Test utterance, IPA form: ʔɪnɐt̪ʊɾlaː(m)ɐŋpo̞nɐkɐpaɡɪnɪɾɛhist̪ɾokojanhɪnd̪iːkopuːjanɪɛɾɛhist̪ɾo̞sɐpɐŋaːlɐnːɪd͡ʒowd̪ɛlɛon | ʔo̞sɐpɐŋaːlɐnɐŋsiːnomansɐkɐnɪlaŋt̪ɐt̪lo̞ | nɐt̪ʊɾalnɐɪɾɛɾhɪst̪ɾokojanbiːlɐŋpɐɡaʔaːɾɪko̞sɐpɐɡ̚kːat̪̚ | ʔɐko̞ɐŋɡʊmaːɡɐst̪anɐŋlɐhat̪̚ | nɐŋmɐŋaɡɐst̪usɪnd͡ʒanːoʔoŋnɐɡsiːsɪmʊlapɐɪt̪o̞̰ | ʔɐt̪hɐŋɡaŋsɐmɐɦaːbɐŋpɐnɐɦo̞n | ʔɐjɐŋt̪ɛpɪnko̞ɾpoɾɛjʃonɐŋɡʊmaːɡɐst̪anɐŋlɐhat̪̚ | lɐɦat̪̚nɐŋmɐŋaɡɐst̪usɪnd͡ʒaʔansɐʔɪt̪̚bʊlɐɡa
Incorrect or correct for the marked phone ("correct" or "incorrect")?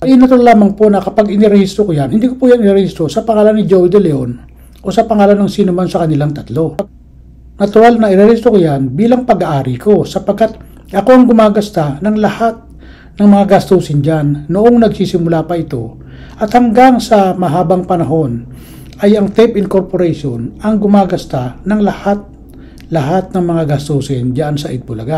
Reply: correct